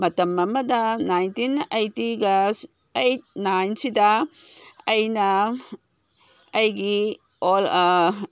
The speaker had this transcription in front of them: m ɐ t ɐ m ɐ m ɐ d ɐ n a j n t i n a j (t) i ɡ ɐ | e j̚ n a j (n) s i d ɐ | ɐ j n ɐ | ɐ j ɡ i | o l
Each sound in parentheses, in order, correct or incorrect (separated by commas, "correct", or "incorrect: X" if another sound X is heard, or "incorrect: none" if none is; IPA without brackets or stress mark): correct, correct